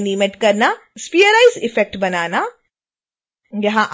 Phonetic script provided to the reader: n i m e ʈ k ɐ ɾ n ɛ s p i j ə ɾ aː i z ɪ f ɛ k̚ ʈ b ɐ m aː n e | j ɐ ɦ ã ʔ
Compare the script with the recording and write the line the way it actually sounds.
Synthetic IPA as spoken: n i m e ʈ k ɐ ɾ n a s p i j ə ɾ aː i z ɪ f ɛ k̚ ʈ b ɐ n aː n a | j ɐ ɦ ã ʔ